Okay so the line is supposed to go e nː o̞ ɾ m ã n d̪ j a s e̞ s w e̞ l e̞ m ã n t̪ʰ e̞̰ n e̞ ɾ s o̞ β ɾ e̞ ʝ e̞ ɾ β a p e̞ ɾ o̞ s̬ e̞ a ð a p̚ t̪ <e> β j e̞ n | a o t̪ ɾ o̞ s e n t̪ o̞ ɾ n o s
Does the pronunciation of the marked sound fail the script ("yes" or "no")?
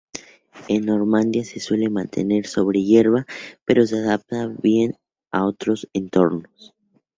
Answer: yes